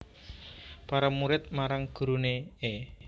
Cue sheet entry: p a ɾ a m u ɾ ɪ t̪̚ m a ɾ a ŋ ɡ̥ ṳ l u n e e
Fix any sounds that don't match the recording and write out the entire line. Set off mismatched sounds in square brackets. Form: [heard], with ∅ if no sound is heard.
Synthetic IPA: p a ɾ a m u ɾ ɪ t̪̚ m a ɾ a ŋ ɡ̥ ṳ [ɾ] u n e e